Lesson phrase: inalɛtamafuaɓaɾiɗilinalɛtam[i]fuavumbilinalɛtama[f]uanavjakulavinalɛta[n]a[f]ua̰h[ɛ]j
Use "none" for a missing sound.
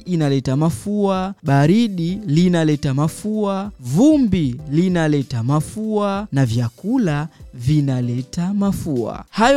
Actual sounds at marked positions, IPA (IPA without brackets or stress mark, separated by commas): a, f, m, f, a